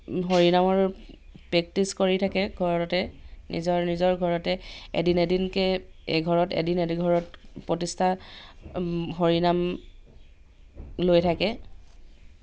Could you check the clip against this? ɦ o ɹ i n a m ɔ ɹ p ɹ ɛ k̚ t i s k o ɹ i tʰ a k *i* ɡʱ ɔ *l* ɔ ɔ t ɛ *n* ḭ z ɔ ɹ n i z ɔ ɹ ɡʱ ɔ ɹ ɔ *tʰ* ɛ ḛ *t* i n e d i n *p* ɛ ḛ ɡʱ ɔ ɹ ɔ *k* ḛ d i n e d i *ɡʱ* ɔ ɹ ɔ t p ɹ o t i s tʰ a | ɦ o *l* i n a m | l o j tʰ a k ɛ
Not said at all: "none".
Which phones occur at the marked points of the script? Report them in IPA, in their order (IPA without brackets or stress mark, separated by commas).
ɛ, ɹ, n, t, d, k, t, ɡʱ, ɹ